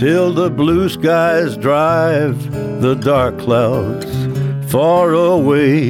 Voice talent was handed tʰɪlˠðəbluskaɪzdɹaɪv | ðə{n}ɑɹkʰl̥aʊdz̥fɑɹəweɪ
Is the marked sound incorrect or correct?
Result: incorrect